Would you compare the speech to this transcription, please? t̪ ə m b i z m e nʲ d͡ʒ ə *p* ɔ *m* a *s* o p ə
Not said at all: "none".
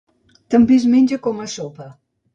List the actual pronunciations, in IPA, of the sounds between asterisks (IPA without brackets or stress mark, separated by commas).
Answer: k, m, s